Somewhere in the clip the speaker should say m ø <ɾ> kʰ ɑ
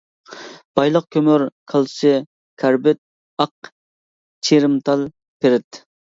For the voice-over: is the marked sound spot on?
yes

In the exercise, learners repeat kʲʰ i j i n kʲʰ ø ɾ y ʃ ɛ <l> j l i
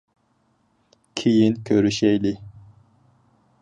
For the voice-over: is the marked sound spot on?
no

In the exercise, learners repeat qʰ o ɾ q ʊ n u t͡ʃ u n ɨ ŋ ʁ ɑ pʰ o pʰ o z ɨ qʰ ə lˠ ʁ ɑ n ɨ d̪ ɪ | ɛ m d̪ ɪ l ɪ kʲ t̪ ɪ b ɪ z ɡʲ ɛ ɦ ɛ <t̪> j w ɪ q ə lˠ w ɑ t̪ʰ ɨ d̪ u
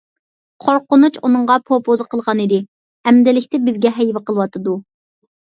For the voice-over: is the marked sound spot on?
no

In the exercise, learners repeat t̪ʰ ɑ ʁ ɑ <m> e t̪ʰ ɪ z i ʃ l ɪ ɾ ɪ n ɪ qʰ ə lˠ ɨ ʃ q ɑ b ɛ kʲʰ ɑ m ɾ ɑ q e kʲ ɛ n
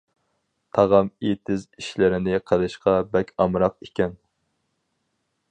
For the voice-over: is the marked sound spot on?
yes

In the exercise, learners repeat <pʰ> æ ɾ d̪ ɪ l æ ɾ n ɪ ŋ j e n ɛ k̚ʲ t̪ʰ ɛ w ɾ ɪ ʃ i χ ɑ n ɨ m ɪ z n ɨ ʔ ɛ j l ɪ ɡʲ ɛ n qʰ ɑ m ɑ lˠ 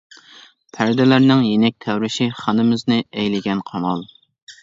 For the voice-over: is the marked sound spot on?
yes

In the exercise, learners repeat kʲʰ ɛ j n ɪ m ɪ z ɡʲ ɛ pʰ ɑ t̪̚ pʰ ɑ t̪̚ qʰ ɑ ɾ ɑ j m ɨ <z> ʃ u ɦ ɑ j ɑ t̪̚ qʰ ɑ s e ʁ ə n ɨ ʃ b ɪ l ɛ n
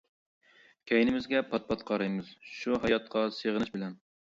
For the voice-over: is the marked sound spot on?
yes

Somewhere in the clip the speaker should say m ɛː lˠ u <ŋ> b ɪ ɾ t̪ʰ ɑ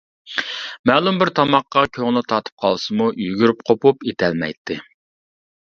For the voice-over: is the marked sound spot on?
no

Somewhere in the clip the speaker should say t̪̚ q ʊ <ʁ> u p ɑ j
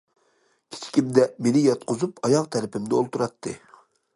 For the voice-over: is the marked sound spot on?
no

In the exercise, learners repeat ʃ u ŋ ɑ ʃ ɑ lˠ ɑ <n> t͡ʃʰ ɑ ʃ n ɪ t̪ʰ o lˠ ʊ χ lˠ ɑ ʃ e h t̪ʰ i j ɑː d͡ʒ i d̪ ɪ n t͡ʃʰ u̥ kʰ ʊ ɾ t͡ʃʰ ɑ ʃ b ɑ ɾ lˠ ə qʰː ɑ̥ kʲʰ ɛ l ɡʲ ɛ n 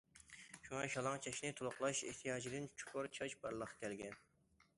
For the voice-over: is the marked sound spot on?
no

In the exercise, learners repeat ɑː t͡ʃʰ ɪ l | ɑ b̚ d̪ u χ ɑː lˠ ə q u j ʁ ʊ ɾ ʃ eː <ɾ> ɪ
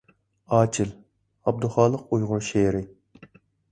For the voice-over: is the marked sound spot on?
yes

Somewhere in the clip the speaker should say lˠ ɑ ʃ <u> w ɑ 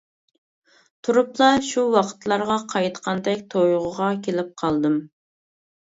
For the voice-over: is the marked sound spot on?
yes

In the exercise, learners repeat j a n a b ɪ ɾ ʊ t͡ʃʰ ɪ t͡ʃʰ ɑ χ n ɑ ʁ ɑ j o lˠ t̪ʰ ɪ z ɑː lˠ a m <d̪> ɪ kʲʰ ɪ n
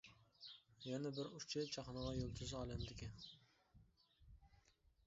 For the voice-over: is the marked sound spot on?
yes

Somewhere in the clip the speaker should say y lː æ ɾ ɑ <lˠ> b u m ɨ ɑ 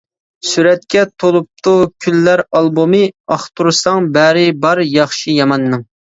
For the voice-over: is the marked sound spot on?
yes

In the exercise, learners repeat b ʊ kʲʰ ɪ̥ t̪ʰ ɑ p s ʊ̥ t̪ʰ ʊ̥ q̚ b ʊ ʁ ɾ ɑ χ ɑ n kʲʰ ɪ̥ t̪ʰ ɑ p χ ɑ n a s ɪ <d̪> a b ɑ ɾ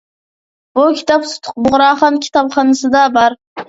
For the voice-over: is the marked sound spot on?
yes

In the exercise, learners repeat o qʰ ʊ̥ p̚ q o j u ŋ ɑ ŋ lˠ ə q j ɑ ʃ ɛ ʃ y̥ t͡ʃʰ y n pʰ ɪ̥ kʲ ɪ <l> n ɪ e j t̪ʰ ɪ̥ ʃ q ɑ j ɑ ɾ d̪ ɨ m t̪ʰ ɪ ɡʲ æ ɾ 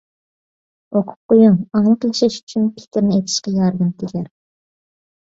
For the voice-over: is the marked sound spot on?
no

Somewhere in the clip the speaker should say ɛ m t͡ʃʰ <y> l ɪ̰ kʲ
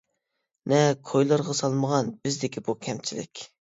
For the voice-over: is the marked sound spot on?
no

